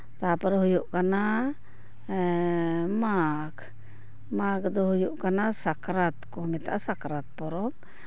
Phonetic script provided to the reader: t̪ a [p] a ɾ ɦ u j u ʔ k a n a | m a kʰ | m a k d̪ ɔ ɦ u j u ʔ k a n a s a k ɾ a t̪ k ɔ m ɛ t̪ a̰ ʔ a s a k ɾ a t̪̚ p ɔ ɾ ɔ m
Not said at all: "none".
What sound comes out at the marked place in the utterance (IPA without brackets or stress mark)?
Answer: p